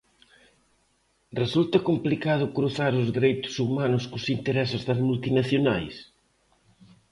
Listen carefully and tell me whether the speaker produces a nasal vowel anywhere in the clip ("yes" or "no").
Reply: no